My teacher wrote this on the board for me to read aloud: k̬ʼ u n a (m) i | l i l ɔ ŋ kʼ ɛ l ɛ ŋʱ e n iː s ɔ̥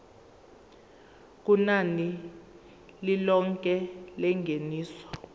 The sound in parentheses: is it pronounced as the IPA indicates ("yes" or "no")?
no